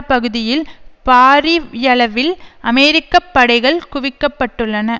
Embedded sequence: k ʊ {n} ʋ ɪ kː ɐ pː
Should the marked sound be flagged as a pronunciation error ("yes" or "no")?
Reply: yes